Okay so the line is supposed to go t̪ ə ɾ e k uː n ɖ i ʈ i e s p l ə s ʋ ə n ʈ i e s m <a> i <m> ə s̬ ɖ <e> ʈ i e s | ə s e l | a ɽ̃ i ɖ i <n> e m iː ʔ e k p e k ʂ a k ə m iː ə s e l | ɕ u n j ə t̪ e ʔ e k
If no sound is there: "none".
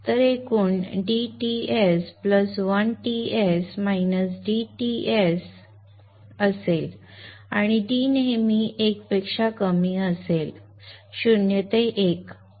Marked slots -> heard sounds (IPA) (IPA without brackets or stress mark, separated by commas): a, n, i, n